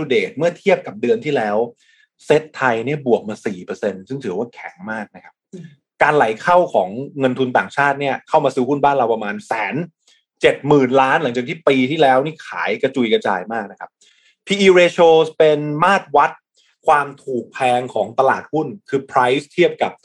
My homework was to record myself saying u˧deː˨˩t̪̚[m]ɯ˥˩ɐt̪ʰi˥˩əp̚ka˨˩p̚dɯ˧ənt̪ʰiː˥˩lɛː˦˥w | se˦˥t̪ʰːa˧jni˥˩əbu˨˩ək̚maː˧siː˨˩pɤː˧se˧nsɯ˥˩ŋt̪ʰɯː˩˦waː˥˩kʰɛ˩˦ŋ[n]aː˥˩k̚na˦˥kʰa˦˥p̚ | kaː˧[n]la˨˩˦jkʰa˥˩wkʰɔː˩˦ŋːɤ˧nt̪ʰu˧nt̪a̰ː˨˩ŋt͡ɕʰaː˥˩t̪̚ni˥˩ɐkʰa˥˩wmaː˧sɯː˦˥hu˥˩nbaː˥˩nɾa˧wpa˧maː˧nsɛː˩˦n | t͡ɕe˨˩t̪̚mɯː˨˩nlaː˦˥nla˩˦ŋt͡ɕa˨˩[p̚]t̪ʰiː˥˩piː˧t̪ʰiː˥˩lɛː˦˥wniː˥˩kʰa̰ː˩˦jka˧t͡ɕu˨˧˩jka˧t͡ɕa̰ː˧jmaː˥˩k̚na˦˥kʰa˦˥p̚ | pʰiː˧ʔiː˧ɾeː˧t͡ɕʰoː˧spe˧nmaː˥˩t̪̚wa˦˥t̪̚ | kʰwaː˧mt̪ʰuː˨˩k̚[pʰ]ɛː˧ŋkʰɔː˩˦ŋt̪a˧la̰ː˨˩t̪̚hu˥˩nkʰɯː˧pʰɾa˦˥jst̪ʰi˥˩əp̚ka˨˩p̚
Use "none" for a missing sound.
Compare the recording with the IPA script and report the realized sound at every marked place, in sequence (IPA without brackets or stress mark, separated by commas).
m, m, n, k̚, pʰ